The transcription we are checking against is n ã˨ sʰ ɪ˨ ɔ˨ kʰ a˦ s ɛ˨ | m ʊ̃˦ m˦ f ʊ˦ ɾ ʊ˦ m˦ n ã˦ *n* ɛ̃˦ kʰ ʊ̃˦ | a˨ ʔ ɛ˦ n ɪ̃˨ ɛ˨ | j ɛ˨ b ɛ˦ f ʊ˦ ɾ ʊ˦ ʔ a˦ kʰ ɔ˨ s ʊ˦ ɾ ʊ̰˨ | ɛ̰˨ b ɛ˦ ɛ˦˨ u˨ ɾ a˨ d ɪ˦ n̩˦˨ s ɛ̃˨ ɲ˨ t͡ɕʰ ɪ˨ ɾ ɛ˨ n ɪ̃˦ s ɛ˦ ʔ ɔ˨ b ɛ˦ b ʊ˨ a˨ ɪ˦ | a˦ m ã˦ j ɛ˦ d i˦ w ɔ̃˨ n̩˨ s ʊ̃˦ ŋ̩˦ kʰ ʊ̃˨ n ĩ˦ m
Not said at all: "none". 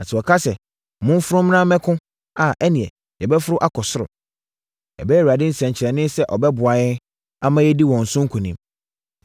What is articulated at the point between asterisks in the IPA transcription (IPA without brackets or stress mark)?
m